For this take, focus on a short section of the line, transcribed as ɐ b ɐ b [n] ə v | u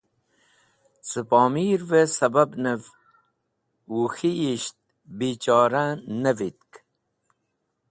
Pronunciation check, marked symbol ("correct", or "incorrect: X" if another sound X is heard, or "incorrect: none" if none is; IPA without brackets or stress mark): correct